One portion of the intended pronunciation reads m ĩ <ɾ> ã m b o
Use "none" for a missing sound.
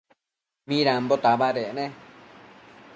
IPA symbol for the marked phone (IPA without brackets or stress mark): ɾ